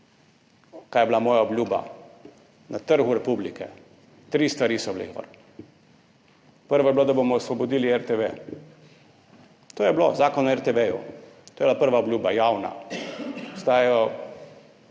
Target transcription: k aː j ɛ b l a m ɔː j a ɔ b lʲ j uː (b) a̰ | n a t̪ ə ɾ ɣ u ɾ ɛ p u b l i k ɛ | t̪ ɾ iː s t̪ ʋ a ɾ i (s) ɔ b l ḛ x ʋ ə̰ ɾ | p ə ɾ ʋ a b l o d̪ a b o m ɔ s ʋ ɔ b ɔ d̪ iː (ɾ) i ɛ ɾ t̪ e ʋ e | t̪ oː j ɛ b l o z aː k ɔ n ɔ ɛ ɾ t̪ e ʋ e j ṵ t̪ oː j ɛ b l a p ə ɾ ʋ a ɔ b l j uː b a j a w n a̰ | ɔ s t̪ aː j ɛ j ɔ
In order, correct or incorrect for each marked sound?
correct, correct, incorrect: l

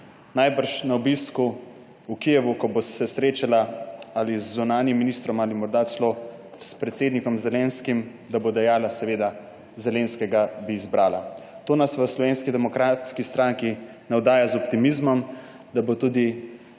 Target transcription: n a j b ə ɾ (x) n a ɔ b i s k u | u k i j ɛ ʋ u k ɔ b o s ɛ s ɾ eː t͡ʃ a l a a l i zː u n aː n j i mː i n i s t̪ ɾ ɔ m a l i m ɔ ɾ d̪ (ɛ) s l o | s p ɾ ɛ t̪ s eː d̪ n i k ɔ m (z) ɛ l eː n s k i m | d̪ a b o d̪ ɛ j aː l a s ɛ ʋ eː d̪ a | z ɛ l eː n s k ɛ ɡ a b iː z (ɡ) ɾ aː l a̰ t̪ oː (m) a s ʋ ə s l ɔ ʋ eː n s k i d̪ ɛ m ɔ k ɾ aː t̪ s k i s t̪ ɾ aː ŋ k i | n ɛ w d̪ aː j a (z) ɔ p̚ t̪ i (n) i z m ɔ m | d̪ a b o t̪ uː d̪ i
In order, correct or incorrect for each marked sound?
incorrect: ʃ, incorrect: a, correct, incorrect: b, incorrect: n, correct, incorrect: m

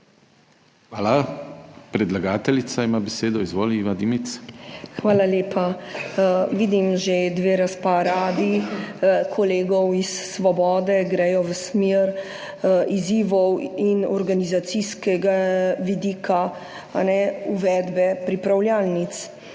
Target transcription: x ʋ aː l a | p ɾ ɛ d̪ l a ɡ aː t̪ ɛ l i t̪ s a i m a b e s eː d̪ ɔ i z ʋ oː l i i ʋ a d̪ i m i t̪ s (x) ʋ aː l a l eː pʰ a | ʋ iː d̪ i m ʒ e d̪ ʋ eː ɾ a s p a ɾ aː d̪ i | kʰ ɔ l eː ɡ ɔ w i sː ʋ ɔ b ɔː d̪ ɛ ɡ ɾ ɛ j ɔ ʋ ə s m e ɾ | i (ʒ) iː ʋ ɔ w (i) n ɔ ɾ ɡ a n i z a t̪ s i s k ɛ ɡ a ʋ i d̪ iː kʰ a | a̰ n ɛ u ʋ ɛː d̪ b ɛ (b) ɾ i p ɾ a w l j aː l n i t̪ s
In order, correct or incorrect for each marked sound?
correct, incorrect: z, correct, incorrect: p

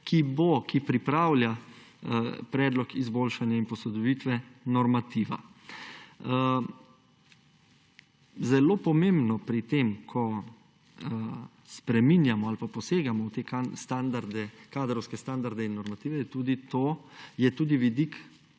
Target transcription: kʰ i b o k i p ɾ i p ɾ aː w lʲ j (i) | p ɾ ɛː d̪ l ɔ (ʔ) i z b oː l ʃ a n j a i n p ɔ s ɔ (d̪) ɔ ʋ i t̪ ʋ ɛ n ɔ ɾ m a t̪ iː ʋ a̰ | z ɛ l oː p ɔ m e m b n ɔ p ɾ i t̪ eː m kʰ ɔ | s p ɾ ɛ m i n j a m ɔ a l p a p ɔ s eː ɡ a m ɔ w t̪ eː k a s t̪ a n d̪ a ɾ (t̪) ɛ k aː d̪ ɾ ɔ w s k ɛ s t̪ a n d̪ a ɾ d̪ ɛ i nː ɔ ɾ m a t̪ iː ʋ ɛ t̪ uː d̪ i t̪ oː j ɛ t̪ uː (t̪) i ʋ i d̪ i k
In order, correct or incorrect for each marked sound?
incorrect: a, incorrect: k, correct, incorrect: d̪, incorrect: d̪

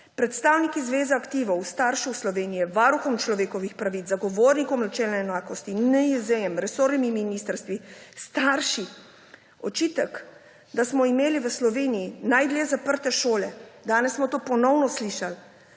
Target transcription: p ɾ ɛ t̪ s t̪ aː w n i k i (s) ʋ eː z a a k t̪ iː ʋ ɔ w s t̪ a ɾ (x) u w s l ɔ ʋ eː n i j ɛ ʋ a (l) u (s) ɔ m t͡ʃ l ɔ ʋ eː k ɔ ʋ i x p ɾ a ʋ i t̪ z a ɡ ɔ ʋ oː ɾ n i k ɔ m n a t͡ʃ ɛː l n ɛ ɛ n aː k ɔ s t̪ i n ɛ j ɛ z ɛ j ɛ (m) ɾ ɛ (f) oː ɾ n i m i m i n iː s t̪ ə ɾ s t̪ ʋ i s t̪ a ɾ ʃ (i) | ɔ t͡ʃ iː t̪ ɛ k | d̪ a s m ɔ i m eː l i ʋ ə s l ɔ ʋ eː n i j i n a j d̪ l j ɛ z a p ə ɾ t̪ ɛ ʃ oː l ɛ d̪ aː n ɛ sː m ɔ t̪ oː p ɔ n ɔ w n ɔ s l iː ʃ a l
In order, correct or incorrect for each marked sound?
incorrect: z, incorrect: ʃ, incorrect: ɾ, incorrect: x, correct, incorrect: s, correct

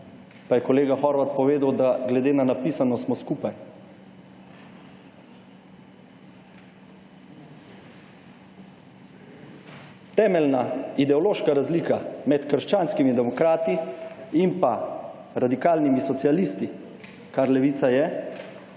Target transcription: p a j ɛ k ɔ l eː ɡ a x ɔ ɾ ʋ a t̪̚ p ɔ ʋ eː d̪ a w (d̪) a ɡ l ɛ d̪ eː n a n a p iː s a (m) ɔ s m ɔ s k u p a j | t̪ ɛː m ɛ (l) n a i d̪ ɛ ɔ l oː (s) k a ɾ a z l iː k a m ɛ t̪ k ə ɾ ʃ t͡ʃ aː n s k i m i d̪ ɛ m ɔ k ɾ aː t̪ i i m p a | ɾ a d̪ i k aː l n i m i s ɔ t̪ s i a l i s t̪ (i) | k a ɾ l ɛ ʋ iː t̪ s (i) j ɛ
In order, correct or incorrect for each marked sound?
correct, incorrect: n, correct, incorrect: ʃ, correct, incorrect: a

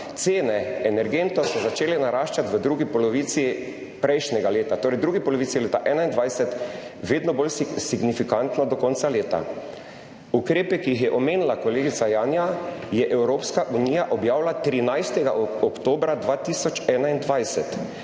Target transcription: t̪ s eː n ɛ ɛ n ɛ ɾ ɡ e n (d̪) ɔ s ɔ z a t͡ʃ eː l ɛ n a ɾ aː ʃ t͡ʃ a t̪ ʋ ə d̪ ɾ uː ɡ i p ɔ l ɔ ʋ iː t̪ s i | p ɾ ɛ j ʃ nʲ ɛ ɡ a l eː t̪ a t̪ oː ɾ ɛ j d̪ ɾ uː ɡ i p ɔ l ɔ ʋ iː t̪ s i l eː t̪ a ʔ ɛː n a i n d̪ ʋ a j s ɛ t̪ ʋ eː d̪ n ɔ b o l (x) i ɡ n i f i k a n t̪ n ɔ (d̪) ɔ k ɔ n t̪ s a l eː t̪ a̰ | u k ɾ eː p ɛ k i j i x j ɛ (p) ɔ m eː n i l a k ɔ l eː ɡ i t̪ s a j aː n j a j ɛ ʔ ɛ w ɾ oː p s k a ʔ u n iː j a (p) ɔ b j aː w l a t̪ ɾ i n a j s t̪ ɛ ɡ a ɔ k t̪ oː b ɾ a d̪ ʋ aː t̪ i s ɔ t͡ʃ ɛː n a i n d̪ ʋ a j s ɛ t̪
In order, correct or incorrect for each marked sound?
incorrect: t̪, incorrect: s, correct, incorrect: ʔ, incorrect: ʔ

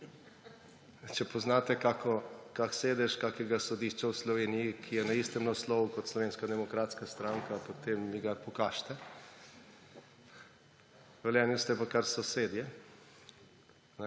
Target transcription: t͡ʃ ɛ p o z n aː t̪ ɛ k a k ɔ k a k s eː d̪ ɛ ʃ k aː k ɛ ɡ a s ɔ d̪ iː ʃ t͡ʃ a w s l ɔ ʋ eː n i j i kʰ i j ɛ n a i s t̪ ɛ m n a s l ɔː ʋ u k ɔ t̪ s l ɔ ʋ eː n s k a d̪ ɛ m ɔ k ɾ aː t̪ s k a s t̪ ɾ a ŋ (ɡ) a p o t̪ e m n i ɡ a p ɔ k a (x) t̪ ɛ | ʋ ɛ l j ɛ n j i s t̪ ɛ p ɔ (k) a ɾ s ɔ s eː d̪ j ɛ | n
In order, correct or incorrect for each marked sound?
incorrect: k, incorrect: ʃ, correct

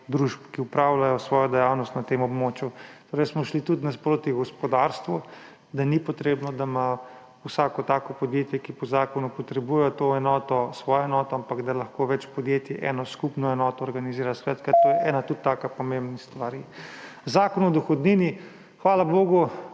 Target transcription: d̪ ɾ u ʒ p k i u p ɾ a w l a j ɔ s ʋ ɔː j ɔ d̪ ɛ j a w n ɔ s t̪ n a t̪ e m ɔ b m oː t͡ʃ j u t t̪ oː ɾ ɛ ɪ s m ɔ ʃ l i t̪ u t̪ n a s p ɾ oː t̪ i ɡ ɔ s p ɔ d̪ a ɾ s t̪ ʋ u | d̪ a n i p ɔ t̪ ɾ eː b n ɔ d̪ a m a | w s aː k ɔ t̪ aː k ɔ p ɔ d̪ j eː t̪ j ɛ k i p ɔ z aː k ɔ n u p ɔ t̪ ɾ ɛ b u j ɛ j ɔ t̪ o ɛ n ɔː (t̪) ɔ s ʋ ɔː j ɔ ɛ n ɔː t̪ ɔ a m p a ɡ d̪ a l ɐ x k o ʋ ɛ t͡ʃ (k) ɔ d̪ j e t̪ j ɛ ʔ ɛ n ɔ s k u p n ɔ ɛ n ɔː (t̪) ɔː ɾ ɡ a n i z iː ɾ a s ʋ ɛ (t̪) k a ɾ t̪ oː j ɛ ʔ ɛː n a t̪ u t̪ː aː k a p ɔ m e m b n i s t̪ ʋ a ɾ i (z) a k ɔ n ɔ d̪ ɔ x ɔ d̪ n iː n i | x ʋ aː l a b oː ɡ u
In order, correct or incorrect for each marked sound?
correct, incorrect: p, correct, correct, correct

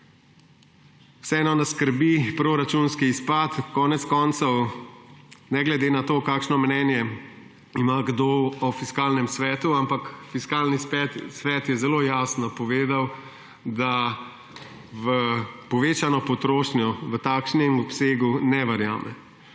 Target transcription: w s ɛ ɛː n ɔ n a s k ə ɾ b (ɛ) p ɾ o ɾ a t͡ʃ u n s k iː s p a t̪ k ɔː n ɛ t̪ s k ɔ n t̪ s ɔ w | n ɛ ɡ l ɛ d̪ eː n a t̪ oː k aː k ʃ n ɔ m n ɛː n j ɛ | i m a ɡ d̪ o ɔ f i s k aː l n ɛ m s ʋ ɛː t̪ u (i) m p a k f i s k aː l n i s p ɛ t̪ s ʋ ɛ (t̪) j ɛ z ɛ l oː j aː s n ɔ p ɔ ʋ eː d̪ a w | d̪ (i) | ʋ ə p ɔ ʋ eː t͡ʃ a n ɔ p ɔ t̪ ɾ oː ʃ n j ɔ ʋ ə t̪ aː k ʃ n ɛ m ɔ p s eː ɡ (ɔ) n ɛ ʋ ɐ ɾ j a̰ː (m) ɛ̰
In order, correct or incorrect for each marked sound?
incorrect: i, incorrect: a, correct, incorrect: a, incorrect: u, correct

